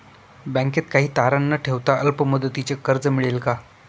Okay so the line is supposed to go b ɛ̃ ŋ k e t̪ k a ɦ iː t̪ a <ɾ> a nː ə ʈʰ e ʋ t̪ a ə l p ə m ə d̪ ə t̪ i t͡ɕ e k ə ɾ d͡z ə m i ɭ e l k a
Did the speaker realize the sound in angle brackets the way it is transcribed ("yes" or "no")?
yes